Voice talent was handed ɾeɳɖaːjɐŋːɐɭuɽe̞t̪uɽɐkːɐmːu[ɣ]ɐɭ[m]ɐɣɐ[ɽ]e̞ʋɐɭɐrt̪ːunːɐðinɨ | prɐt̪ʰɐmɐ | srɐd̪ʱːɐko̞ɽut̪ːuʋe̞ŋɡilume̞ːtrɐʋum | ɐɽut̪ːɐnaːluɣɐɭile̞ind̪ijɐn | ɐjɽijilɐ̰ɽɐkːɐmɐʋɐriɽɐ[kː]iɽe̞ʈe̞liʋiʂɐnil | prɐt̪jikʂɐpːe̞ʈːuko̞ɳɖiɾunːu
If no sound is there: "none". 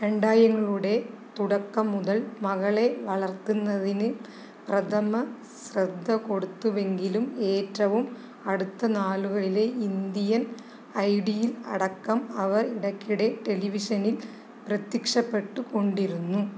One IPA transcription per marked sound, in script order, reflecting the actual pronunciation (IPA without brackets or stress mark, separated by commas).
ð, m, ɭ, kː